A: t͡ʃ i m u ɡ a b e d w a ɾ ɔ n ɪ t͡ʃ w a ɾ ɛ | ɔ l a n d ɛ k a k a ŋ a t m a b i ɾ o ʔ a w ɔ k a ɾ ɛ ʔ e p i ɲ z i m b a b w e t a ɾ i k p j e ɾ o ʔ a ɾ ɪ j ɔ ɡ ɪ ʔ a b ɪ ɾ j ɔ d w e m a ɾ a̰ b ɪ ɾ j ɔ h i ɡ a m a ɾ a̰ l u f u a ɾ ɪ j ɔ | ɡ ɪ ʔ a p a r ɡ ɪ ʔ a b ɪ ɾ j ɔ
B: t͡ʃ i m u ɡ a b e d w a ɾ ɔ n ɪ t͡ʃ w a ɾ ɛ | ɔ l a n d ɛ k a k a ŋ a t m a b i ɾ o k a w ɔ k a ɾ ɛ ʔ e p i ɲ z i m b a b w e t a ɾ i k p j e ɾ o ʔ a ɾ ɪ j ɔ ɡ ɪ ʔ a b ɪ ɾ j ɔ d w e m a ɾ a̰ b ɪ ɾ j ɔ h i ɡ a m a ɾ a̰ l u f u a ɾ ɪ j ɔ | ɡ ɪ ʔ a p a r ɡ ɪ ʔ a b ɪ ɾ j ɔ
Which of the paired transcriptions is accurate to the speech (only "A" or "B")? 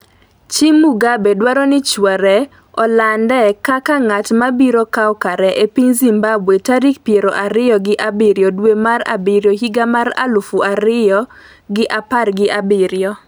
B